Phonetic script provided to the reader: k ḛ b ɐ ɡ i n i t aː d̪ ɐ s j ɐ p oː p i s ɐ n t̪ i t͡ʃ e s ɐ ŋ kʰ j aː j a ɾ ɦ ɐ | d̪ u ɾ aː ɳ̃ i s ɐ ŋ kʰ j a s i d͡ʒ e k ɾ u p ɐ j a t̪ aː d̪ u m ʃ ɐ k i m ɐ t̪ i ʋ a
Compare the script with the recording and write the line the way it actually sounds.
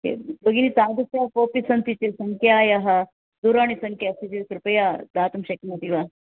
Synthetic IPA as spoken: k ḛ b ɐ ɡ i n i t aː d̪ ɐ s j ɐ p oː p i s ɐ n t̪ i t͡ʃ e s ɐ ŋ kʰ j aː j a ɦ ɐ | d̪ u ɾ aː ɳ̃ i s ɐ ŋ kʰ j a s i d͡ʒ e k ɾ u p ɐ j a d̪ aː t̪ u m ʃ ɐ k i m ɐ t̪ i ʋ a